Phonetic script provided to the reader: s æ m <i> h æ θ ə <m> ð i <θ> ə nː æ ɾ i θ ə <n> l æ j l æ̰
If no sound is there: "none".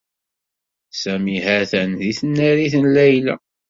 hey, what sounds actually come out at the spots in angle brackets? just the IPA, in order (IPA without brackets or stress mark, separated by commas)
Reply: i, n, θ, n